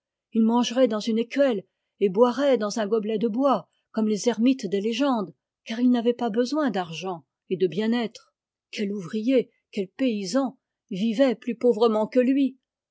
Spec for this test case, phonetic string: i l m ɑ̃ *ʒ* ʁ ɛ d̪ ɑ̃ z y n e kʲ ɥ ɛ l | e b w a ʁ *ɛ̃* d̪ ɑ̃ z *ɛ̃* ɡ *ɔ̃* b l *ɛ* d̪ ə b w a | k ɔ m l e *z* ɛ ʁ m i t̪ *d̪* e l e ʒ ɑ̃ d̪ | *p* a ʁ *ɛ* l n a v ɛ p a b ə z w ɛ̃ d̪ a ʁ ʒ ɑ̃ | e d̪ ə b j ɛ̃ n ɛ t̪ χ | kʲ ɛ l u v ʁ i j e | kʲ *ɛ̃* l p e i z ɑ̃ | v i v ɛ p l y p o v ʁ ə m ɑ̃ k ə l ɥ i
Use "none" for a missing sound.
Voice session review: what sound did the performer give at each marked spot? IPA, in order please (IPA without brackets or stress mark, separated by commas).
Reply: ʒ, ɛ, ɛ̃, ɔ, ɛ, z, d̪, k, i, ɛ